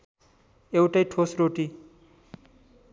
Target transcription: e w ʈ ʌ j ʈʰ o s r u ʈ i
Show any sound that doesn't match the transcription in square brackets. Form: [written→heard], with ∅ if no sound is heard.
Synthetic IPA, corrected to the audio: e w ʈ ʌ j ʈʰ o s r [u→o] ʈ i

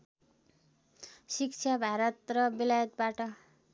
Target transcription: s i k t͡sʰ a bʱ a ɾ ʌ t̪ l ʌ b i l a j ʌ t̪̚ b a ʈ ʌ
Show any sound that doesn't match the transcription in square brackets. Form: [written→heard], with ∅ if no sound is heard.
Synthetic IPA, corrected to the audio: s i k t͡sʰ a bʱ a ɾ ʌ t̪ [l→r] ʌ b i l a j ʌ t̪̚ b a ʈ ʌ

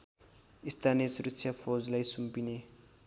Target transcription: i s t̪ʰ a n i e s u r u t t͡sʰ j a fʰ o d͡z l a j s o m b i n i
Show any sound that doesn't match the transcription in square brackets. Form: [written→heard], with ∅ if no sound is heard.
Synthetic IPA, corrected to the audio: i s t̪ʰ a n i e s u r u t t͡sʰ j a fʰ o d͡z l a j s [o→u] m [b→p] i n [i→e]

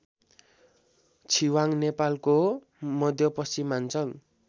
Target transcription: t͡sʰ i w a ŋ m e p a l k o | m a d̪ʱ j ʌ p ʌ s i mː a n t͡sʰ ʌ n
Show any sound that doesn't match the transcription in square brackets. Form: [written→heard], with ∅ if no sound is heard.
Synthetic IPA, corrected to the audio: t͡sʰ i w a ŋ [m→n] e p a l k o | m [a→ʌ] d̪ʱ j ʌ p ʌ s i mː a n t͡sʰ ʌ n

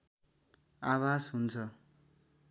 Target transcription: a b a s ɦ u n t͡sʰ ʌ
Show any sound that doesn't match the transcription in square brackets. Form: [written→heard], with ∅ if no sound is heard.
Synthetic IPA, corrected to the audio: a [b→w] a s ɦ u n t͡sʰ ʌ

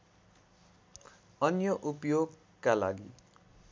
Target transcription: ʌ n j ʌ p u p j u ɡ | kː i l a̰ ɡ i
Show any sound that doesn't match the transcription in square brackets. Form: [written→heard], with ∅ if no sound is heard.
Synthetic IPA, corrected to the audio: ʌ n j ʌ [p→ʔ] u p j [u→o] ɡ | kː [i→a] l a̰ ɡ i

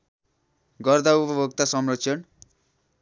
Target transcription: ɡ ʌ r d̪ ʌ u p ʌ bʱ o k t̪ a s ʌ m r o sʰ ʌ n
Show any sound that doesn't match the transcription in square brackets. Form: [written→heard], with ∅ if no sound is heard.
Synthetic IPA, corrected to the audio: ɡ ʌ r d̪ [ʌ→a] u p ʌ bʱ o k t̪ a s ʌ m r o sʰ ʌ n

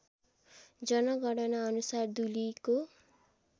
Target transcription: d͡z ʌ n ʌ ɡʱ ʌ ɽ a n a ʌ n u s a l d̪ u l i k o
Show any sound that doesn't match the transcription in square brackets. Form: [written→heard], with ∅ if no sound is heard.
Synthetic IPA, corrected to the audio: d͡z ʌ n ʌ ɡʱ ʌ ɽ [a→ʌ] n a ʌ n u s a [l→r] d̪ u l i k o

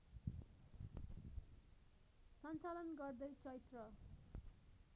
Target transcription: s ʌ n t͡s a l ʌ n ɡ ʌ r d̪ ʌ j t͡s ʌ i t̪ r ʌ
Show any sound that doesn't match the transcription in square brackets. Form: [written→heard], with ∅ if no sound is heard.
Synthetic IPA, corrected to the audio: s ʌ n t͡s a l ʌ n ɡ ʌ r d̪ ʌ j t͡s ʌ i t̪ r ʌ

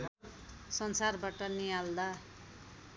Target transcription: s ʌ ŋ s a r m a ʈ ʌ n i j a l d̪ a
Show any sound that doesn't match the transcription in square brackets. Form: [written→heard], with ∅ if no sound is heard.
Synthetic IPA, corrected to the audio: s ʌ [ŋ→n] s a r [m→b] a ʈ ʌ n i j a l d̪ a

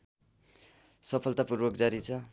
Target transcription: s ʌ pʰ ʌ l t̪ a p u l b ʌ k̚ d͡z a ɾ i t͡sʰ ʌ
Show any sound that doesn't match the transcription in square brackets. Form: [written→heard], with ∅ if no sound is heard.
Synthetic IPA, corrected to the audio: s ʌ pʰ ʌ l t̪ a p u [l→r] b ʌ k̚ d͡z a ɾ i t͡sʰ ʌ

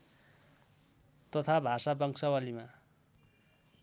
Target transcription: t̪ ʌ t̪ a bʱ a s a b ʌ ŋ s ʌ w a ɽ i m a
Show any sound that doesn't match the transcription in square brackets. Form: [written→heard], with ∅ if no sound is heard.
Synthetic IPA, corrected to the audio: t̪ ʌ [t̪→t̪ʰ] a bʱ a s a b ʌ ŋ s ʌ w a [ɽ→l] i m a

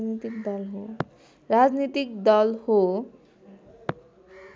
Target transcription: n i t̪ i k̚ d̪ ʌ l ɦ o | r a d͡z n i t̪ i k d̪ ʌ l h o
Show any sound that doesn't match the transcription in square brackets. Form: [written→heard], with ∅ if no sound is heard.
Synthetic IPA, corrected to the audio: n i t̪ i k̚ d̪ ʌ l ɦ o | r a d͡z n i t̪ i k d̪ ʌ l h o

